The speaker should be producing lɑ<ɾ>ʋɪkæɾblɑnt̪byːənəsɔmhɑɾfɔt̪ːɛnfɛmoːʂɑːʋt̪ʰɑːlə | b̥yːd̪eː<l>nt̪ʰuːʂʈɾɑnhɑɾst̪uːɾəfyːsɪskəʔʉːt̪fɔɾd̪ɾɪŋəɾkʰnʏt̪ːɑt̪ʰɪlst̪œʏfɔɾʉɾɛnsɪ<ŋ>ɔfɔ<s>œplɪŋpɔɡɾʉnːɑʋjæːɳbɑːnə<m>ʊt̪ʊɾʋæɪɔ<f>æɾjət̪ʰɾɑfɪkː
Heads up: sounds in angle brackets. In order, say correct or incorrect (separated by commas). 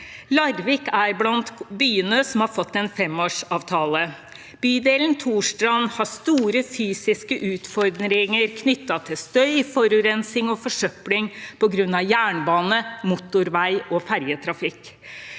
correct, correct, correct, incorrect, correct, correct